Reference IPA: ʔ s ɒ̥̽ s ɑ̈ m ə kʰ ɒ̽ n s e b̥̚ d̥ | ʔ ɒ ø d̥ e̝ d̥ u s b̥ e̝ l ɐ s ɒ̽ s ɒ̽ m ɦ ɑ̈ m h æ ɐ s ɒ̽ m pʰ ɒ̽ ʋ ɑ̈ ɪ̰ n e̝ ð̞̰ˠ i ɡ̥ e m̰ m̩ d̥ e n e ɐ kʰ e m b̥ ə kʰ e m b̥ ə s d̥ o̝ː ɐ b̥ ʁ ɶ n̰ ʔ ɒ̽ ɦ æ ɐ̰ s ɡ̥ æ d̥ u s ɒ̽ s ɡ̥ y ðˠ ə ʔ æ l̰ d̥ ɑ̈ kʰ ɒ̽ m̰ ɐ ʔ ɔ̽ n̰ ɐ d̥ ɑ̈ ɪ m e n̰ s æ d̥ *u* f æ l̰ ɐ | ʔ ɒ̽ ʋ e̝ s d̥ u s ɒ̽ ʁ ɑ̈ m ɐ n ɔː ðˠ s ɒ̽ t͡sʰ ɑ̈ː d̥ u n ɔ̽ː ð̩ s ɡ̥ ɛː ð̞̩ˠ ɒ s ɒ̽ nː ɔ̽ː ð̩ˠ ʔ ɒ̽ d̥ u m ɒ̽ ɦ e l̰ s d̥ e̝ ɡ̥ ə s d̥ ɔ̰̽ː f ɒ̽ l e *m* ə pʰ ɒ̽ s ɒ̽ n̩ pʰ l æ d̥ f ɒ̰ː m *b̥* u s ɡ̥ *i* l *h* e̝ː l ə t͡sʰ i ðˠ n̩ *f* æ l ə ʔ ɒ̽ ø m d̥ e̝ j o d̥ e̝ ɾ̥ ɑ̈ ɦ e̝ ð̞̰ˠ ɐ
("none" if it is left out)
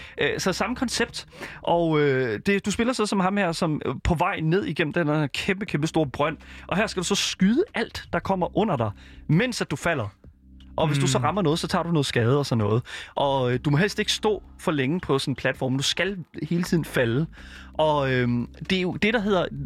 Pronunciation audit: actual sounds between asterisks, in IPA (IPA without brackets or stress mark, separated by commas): u, ŋ, d̥, æ, h, f